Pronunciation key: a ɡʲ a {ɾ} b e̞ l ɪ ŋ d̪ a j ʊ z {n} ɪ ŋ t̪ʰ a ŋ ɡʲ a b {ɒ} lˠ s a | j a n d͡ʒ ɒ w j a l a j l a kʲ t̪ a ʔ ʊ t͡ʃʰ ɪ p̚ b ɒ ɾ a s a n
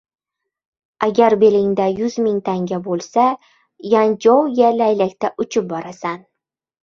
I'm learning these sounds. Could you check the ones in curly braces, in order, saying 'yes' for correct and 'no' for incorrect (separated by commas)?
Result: yes, no, no